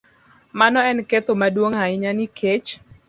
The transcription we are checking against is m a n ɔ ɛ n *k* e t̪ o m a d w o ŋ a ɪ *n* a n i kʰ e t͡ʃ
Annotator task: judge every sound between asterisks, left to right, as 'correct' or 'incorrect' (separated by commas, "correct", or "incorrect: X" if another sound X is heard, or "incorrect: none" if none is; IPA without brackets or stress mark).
correct, incorrect: ɲ